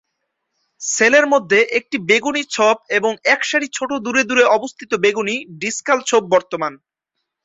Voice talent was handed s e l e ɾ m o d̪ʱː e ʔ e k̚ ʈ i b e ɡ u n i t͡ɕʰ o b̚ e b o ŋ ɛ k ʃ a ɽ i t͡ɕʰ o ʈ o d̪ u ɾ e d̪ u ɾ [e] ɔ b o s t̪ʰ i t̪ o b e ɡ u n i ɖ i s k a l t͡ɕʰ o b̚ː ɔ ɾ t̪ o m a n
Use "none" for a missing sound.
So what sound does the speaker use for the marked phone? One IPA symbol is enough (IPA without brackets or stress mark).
e